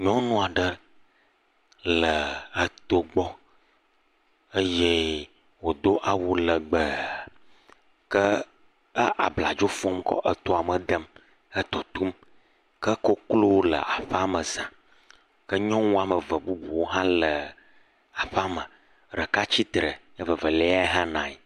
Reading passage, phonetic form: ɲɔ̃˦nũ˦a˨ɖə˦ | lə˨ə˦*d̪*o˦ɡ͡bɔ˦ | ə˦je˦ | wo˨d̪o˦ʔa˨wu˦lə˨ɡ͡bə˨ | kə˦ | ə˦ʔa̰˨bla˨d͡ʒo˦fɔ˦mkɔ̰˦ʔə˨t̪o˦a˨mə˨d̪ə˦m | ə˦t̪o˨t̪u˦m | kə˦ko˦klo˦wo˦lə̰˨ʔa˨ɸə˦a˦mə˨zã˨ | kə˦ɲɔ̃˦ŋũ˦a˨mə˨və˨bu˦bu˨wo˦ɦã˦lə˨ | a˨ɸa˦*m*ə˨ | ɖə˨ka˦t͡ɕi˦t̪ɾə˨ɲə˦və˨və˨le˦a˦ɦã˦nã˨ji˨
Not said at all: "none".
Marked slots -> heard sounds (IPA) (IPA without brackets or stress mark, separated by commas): t̪, m